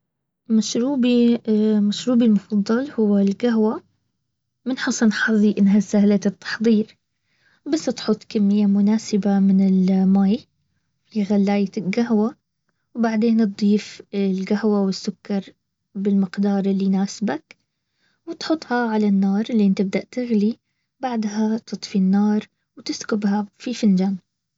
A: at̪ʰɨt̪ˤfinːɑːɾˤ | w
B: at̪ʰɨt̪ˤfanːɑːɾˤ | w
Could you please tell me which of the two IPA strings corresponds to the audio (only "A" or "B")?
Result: A